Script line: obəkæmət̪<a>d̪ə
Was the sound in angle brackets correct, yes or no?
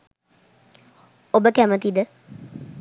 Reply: no